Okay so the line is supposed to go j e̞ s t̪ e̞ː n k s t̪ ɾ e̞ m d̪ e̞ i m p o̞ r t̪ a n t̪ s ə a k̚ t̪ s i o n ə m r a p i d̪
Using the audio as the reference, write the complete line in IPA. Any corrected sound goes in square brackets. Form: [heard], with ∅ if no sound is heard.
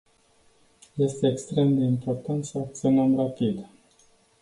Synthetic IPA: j e̞ s t̪ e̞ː [∅] k s t̪ ɾ e̞ m d̪ e̞ i m p o̞ r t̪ a n t̪ s ə a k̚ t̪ s i o n ə m r a p i d̪